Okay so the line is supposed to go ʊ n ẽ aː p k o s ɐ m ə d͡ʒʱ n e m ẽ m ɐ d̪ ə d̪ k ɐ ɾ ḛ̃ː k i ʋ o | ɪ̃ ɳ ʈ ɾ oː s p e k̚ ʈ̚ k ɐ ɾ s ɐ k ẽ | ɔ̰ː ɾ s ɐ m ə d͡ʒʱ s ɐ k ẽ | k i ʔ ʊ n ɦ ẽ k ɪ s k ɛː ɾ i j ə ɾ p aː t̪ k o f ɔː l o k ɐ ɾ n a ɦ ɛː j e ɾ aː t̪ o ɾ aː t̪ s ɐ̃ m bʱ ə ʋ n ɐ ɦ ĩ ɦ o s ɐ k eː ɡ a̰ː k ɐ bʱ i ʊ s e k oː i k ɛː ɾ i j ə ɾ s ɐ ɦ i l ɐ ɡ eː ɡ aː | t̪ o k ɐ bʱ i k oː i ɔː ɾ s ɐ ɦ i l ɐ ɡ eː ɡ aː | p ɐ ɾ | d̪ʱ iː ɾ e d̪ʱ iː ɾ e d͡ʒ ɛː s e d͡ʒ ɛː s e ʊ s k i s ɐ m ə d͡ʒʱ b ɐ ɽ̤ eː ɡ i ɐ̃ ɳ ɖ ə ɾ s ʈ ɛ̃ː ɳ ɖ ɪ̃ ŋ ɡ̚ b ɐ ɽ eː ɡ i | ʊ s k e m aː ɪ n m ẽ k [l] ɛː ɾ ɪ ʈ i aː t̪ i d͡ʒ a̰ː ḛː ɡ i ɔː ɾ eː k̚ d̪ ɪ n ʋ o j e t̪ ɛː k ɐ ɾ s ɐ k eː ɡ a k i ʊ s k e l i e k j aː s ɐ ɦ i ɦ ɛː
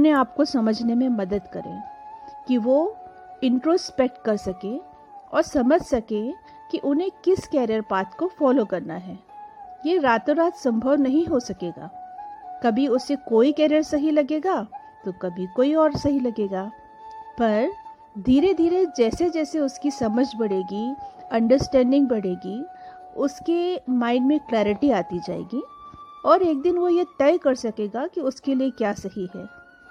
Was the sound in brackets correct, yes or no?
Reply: yes